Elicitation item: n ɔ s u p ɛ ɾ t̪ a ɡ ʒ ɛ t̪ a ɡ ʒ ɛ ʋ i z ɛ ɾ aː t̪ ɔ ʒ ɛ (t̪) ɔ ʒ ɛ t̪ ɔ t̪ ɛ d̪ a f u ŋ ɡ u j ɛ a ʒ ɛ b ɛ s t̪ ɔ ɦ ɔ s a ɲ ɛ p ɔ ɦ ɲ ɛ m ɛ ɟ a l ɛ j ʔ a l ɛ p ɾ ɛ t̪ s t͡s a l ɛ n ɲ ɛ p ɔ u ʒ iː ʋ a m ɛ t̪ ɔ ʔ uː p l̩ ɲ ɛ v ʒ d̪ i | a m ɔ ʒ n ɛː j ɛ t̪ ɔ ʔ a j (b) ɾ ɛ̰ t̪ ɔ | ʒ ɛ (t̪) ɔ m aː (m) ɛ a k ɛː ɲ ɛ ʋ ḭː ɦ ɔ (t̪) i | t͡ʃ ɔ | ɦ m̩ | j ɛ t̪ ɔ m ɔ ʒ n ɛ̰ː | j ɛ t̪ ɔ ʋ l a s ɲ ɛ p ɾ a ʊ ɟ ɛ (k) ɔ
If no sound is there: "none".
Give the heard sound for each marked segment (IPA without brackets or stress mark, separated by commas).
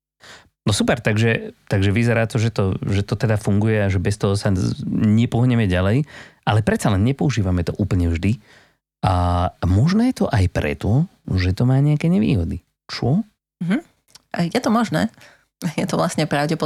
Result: t̪, p, t̪, ɲ, d̪, p